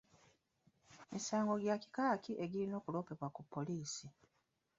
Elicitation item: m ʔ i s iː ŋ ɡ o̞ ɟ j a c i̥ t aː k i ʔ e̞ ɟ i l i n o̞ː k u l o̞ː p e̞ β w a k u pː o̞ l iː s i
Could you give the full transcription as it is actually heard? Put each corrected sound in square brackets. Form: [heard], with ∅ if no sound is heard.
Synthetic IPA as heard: m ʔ i s [aː] ŋ ɡ o̞ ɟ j a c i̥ [k] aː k i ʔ e̞ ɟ i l i n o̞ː k u l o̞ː p e̞ β w a k u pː o̞ l iː s i